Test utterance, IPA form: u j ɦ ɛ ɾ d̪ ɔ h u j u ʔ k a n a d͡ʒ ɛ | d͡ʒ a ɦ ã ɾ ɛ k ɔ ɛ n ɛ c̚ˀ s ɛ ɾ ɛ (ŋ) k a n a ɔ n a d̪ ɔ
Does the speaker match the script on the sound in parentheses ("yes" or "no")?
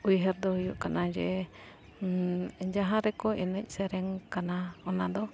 yes